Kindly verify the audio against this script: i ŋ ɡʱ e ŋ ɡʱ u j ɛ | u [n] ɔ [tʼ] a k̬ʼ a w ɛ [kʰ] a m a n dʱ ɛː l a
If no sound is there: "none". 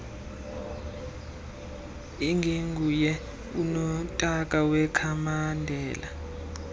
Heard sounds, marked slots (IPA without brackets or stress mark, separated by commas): n, tʼ, kʰ